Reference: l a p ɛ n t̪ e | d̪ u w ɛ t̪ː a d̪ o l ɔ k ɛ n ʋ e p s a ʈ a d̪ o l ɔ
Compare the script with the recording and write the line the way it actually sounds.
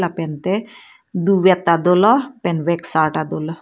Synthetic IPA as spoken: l a p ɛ n t̪ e | d̪ u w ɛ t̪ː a d̪ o l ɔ p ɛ n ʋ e k s a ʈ a d̪ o l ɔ